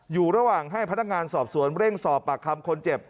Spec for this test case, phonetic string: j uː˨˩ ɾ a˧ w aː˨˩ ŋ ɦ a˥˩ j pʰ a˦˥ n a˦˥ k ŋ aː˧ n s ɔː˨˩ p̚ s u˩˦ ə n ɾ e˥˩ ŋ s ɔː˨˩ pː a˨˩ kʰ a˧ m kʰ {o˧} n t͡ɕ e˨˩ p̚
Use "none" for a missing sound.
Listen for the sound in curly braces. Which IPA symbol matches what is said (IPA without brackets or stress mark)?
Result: o˧